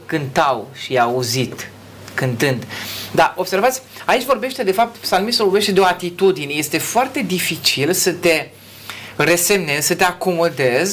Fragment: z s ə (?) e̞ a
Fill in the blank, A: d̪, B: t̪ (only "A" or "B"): B